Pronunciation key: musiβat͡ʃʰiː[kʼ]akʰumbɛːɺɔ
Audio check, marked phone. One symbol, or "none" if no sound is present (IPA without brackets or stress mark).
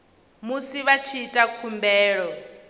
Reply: tʼ